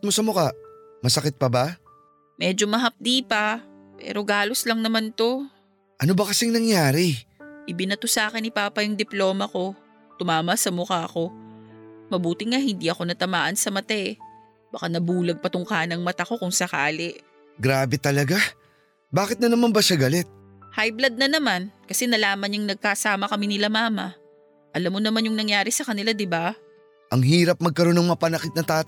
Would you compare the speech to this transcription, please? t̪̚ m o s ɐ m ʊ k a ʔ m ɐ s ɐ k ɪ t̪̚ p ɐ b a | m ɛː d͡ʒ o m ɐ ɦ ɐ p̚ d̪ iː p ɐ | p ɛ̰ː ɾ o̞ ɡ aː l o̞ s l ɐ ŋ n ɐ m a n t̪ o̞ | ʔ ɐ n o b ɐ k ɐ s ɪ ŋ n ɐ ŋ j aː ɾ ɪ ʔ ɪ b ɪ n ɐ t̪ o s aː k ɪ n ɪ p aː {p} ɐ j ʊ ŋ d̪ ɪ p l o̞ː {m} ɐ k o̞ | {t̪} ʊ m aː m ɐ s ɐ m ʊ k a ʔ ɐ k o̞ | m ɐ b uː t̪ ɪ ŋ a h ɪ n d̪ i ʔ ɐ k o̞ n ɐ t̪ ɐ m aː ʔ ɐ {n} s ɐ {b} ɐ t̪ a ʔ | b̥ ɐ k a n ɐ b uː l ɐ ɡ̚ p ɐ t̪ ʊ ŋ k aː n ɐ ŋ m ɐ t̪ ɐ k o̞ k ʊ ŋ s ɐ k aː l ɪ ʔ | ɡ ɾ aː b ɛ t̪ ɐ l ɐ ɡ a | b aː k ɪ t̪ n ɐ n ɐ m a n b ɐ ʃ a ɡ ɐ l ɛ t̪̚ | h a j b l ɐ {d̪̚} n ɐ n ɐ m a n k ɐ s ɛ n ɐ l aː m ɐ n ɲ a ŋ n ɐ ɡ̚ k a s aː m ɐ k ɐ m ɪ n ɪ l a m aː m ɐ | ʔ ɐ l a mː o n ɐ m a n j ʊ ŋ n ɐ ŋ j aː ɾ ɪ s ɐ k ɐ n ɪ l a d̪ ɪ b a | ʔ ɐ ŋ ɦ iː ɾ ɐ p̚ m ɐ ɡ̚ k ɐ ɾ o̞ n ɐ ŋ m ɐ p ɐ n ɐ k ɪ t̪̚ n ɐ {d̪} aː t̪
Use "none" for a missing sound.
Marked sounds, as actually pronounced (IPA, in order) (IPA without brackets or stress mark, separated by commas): p, m, t̪, n, m, d̪̚, t̪